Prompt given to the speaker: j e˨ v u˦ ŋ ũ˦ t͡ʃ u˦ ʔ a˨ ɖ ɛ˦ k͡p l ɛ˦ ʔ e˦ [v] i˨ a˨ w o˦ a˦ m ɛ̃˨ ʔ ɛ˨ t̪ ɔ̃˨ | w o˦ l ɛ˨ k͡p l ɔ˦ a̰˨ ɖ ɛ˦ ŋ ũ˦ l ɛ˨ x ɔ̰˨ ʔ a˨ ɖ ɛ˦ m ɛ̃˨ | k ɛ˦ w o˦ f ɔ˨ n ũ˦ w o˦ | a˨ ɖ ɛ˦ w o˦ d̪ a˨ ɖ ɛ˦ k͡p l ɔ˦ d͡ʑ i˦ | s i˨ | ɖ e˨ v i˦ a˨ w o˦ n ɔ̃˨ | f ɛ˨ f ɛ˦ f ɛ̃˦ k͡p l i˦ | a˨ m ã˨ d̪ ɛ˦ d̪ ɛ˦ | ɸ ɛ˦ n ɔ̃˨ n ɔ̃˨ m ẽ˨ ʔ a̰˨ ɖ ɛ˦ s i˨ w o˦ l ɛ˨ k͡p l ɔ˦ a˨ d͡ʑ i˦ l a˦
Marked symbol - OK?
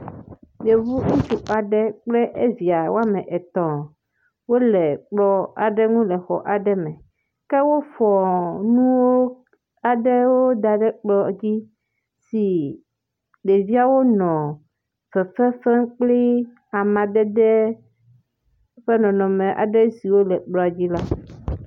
yes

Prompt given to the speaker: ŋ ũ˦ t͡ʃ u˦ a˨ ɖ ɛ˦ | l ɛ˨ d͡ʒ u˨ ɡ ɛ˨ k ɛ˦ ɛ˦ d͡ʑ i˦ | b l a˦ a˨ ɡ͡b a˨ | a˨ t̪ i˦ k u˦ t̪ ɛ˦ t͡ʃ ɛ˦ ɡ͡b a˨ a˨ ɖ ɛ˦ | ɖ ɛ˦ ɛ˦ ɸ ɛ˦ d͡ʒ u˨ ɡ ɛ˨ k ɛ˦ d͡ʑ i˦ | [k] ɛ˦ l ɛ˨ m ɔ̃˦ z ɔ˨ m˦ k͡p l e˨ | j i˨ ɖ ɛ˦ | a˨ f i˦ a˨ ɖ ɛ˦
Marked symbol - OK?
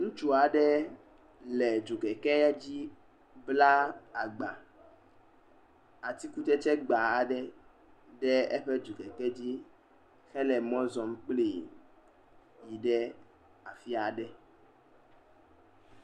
no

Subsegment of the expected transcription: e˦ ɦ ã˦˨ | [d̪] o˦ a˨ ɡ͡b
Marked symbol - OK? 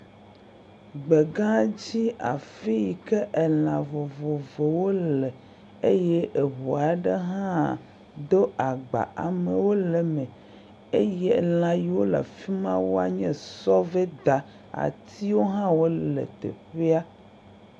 yes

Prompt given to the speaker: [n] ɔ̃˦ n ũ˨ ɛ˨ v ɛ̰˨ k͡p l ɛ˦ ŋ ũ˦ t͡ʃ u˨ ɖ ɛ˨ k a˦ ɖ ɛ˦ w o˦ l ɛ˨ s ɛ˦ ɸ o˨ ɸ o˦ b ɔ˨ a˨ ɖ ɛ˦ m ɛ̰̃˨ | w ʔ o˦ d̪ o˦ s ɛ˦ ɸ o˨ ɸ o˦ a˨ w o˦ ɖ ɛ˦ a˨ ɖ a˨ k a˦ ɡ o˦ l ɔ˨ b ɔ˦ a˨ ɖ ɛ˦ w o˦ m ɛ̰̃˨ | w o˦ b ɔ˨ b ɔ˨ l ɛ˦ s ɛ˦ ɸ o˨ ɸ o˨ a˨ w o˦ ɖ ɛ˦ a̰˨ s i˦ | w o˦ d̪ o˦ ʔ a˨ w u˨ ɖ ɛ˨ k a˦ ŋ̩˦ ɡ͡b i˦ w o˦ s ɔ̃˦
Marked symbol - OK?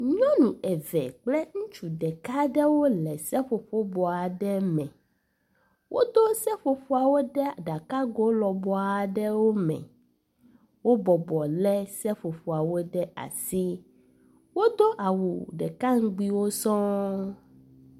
no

